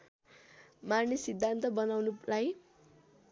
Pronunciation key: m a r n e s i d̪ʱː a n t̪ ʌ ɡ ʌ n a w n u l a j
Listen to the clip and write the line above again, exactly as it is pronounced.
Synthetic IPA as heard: m a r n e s i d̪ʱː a n t̪ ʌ b ʌ n a w n u l a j

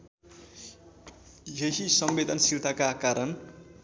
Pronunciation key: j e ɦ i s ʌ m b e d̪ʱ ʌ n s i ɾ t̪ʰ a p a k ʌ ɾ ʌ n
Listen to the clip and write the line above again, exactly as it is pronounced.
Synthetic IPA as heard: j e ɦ i s ʌ m b e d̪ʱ ʌ n s i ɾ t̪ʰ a k a k a ɾ ʌ n

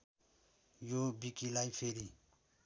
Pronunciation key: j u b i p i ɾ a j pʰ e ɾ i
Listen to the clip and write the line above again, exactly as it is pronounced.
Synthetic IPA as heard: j o b i k i l a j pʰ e ɾ i

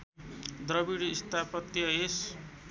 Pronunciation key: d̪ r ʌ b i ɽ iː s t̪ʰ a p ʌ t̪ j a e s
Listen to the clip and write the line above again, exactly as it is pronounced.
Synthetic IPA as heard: d̪ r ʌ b i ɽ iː s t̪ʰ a p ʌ t̪ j ʌ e s

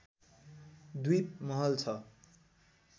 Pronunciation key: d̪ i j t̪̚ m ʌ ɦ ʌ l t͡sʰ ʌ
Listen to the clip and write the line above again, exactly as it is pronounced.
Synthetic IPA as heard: d̪ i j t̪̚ m ʌ ɦ ʌ l t͡sʰ ʌ

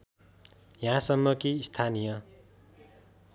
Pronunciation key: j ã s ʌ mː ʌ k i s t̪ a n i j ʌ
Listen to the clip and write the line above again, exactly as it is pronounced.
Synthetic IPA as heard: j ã s ʌ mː ʌ k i s t̪ʰ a n i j ʌ

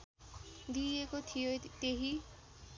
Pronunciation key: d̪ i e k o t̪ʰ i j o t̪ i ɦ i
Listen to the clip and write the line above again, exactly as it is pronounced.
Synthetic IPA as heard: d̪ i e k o t̪ʰ i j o t̪ e ɦ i

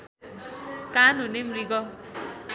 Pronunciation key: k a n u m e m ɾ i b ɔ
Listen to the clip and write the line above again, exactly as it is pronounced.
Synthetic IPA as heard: k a n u n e m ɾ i ɡ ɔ

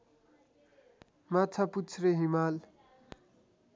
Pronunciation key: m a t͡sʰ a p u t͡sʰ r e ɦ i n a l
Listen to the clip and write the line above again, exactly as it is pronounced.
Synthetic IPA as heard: m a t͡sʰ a p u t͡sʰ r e ɦ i m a l

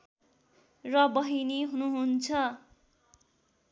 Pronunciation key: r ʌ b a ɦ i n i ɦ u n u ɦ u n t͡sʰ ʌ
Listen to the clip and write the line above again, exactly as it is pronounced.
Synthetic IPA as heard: r ʌ b ʌ ɦ i n i ɦ u n u ɦ u n t͡sʰ ʌ

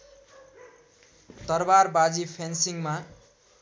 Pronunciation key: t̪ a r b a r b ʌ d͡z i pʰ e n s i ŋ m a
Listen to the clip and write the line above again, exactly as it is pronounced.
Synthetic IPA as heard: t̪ ʌ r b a r b a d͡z i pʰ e n s i ŋ m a

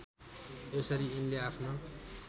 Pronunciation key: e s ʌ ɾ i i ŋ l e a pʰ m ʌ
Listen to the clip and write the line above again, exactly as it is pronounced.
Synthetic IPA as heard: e s ʌ ɾ i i n l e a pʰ n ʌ

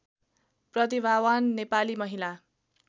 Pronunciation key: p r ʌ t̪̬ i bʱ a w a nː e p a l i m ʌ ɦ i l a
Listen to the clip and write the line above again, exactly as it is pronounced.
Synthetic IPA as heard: p r ʌ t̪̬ i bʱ a w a nː e p a l i m ʌ ɦ i l a

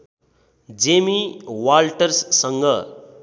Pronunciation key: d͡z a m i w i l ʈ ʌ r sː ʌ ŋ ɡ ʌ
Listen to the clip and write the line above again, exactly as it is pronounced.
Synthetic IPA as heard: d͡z e m i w a l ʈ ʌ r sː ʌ ŋ ɡ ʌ

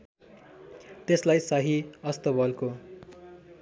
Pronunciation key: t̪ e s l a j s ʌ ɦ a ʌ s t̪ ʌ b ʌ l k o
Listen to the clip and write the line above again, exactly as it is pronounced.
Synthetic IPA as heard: t̪ e s l a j s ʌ ɦ i ʌ s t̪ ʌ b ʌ l k o

